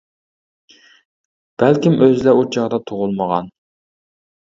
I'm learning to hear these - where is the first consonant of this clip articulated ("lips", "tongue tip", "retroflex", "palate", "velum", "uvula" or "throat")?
lips